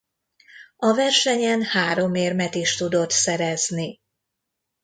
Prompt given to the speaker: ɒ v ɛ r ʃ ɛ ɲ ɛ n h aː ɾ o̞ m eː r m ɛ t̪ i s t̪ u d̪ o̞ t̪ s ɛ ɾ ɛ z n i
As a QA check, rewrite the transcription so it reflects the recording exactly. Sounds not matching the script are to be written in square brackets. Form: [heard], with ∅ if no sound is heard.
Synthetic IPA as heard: ɒ v ɛ r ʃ ɛ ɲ ɛ n h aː ɾ o̞ m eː r m ɛ t̪ i [ʃ] t̪ u d̪ o̞ t̪ s ɛ ɾ ɛ z n i